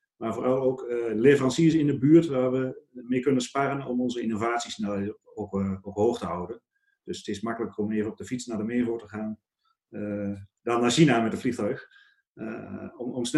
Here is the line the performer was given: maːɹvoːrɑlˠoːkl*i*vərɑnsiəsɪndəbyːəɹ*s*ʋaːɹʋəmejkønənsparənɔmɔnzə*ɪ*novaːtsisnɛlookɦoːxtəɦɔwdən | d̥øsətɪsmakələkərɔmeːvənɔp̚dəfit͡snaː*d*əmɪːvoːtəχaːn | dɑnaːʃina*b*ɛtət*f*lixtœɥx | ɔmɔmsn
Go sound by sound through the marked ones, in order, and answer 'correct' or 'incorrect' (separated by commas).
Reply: incorrect, incorrect, incorrect, correct, incorrect, correct